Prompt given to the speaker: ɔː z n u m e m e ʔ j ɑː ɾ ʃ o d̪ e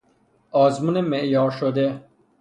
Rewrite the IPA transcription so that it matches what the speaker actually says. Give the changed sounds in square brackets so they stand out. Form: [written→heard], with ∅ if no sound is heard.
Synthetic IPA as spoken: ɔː z [n→m] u [m→n] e m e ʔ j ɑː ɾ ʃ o d̪ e